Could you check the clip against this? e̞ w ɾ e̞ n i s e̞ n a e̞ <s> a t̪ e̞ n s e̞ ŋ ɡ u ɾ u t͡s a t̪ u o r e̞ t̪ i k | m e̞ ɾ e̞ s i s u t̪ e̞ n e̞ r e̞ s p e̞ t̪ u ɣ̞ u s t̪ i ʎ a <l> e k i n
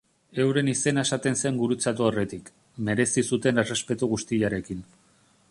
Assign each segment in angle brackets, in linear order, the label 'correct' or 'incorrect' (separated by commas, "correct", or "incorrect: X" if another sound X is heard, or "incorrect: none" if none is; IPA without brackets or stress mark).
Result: correct, incorrect: ɾ